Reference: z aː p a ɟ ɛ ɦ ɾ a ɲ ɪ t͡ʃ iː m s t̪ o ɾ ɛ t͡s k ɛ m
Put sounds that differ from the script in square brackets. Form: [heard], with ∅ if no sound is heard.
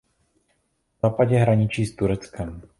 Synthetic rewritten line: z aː p a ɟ ɛ ɦ ɾ a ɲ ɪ t͡ʃ iː [∅] s t̪ [u] ɾ ɛ t͡s k ɛ m